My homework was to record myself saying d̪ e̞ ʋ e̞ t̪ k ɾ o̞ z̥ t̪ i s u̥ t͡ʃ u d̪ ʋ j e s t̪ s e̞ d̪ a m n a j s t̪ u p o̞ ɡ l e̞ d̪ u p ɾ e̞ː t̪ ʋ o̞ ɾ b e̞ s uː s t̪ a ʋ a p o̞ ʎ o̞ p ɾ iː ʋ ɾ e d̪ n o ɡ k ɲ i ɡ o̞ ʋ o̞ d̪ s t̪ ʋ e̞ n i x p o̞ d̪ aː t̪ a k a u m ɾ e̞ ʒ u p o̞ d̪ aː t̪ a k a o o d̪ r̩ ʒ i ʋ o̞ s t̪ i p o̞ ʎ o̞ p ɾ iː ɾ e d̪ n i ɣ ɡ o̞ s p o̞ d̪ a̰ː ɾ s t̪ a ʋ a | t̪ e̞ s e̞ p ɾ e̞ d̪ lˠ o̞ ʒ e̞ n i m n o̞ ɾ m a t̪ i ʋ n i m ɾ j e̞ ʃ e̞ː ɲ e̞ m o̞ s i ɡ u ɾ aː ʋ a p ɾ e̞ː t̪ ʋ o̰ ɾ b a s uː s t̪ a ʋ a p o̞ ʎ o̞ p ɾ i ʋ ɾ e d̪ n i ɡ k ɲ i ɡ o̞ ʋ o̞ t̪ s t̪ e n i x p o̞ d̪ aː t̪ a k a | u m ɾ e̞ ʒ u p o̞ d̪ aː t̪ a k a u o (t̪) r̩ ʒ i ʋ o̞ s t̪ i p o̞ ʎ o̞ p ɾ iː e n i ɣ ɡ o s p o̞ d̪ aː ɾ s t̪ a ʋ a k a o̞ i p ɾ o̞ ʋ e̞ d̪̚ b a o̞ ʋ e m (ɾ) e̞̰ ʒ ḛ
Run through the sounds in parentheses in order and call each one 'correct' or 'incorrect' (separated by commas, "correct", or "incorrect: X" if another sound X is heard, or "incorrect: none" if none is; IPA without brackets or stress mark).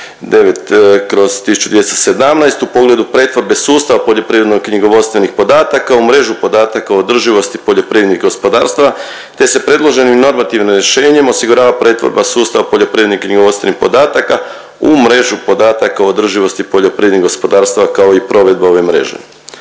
incorrect: d̪, correct